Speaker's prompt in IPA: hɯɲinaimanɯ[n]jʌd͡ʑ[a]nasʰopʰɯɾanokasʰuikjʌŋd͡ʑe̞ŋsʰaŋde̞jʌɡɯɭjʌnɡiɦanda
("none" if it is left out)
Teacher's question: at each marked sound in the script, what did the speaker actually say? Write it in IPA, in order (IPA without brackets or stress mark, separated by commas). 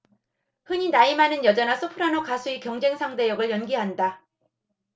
n, ʌ